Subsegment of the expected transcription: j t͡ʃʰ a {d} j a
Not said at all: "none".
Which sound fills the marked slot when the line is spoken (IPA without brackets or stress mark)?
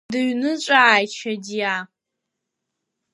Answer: d